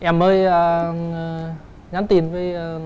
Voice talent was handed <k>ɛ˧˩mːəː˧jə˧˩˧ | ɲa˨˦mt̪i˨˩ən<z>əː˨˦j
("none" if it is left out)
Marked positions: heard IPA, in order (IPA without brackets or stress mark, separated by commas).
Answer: ʔ, v